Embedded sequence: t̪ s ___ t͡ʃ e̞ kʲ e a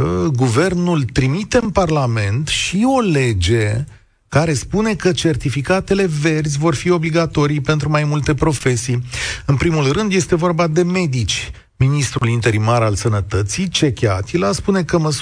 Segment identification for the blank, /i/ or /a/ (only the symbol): i